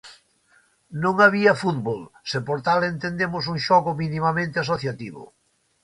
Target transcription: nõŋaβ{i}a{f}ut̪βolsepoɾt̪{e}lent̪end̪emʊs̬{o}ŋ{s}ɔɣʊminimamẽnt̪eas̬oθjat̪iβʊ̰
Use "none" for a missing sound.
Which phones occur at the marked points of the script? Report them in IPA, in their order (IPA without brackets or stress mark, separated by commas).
i, f, a, u, ʃ